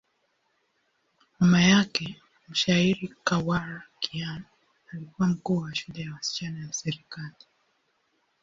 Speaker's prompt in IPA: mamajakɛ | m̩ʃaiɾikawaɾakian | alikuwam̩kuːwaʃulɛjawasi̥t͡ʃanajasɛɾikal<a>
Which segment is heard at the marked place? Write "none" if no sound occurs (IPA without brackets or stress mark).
i